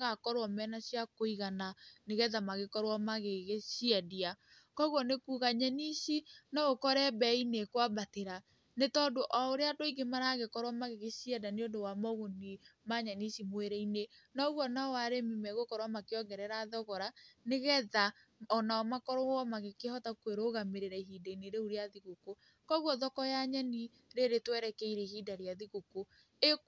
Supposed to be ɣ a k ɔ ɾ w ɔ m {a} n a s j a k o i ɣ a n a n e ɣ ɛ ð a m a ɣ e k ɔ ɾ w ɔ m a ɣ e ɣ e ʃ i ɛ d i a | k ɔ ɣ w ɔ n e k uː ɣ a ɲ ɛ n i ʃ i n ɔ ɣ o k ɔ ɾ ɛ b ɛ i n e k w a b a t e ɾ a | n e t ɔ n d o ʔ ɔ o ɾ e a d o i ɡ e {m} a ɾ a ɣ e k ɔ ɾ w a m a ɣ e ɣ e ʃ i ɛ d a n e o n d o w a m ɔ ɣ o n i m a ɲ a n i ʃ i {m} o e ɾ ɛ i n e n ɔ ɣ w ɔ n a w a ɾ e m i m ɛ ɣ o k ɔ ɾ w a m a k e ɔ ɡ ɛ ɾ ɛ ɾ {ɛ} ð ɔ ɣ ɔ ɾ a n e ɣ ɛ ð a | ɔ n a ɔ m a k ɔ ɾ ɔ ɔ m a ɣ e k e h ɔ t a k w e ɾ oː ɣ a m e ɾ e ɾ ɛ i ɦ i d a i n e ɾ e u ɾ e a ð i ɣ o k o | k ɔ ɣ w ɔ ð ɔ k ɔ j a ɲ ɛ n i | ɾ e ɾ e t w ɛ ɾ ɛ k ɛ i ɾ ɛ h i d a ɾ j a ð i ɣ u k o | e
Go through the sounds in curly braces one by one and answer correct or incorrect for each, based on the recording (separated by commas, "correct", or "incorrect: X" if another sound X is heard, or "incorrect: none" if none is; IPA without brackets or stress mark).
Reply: incorrect: ɛ, correct, correct, incorrect: a